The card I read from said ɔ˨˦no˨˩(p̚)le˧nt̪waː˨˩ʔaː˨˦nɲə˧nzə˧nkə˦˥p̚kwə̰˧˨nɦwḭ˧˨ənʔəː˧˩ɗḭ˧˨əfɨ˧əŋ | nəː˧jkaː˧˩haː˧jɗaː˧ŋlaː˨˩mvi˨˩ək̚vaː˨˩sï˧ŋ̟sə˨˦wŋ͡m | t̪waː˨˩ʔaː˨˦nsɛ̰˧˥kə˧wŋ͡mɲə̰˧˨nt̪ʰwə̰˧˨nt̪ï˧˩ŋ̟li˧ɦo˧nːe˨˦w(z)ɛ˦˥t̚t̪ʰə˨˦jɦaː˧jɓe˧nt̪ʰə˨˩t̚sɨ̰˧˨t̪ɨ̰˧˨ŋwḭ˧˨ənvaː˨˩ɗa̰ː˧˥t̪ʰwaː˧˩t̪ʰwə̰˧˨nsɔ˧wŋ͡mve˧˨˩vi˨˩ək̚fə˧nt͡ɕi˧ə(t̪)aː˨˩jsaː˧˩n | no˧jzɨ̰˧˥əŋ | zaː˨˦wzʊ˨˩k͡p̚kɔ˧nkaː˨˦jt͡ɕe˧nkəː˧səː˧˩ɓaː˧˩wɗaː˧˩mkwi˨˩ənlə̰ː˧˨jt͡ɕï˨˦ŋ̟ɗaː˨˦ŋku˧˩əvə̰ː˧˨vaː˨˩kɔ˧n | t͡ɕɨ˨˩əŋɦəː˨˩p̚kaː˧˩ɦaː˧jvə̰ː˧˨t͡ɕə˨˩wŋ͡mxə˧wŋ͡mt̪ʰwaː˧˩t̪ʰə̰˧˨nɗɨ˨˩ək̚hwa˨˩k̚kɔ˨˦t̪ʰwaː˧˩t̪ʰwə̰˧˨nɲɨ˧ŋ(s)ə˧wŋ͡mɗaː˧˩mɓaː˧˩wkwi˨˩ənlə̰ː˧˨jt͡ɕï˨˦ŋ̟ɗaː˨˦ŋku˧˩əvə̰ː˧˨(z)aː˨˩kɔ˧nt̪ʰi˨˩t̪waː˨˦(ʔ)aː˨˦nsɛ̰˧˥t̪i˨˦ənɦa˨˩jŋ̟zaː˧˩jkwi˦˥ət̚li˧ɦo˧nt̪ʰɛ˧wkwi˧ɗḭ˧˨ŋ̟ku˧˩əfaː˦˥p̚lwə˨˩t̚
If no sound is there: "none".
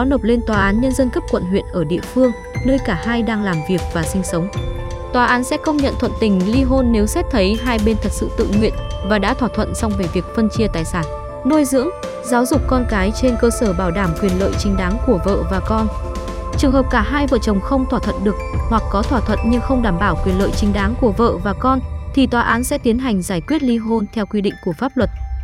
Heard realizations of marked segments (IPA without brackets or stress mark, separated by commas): p̚, s, t̪, x, v, ʔ